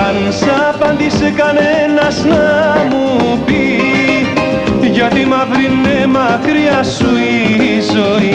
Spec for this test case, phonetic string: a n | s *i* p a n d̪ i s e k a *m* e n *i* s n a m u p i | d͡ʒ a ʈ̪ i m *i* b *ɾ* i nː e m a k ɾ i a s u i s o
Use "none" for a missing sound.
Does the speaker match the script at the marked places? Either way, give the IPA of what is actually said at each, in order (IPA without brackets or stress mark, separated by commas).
a, n, a, a, ɾ